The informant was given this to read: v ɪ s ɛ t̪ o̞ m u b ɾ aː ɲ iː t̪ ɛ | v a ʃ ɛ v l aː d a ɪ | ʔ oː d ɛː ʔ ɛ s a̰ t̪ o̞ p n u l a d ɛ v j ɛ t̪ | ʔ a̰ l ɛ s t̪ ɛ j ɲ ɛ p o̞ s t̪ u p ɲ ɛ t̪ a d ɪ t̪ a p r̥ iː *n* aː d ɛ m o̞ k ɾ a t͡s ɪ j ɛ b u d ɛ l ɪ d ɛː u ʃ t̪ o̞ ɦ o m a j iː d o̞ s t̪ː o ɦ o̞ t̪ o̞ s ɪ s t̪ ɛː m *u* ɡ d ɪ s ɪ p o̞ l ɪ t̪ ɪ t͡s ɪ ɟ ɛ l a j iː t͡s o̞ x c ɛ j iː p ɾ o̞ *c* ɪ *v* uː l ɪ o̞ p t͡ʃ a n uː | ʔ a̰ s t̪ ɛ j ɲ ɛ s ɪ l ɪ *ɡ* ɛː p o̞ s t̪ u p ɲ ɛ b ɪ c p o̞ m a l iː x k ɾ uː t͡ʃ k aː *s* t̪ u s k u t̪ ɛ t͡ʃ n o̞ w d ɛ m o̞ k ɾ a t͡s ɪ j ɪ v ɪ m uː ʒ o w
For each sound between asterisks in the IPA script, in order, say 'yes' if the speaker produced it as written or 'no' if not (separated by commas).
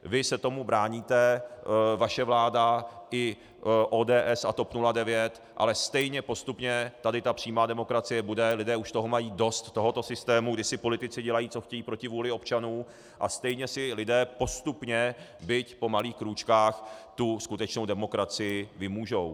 no, yes, yes, yes, no, no